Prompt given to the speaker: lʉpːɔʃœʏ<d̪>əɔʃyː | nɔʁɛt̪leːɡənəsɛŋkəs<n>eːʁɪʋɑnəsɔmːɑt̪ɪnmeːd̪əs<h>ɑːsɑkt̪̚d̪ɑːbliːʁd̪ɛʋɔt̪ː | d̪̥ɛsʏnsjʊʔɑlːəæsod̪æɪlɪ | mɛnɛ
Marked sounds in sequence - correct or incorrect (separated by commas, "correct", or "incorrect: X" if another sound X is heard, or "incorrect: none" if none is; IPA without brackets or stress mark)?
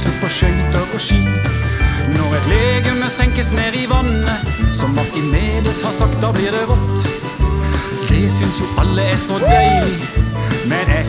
incorrect: t̪, correct, correct